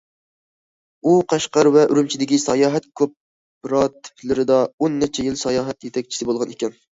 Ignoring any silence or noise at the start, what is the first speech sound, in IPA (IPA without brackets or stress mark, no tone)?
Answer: u